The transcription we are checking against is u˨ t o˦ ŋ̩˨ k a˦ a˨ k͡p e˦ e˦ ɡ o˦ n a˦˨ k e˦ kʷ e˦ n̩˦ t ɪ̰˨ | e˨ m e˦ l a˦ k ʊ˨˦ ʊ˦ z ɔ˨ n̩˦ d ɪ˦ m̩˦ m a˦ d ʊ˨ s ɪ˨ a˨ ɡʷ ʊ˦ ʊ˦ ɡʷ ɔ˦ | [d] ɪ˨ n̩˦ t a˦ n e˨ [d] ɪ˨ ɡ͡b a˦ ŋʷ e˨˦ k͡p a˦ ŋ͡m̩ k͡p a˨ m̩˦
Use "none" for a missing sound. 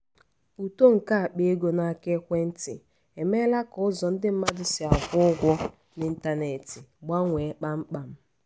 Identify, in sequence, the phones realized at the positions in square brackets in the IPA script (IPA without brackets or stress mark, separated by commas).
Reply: n, t